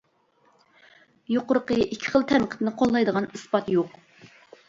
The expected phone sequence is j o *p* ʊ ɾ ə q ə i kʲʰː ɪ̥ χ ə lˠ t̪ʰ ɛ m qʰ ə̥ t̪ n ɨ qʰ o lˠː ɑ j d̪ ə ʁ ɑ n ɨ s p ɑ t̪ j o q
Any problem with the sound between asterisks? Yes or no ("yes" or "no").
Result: yes